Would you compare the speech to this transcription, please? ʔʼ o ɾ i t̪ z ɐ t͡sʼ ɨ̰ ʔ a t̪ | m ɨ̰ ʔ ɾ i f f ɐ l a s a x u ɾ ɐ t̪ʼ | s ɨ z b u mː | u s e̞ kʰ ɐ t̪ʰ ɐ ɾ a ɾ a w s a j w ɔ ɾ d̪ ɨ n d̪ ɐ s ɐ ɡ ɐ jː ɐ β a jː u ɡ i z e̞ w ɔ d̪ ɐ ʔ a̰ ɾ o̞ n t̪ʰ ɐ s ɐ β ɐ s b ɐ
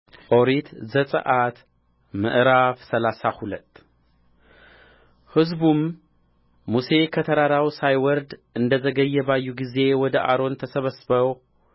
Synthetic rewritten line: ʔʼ o ɾ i t̪ z ɐ t͡sʼ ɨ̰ ʔ a t̪ | m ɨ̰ ʔ ɾ a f s ɐ l a s a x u l ɐ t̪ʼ | h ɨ z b u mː | u s e̞ kʰ ɐ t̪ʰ ɐ ɾ a ɾ a w s a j w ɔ ɾ d̪ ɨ n d̪ ɐ z ɐ ɡ ɐ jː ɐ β a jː u ɡ i z e̞ w ɔ d̪ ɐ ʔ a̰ ɾ o̞ n t̪ʰ ɐ s ɐ β ɐ s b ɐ